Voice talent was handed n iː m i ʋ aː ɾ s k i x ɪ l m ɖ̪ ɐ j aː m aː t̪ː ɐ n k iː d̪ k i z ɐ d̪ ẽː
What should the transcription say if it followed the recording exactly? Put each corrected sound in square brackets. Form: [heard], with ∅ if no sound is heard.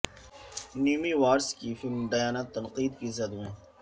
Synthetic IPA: n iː m i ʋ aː ɾ s k i [f] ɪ l m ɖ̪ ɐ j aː [n] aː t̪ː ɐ n [q] iː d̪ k i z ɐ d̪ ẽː